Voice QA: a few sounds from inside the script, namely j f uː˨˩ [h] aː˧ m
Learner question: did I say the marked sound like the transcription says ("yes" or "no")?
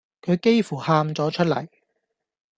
yes